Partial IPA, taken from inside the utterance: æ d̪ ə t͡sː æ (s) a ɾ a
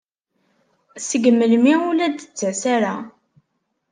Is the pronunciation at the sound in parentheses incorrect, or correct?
correct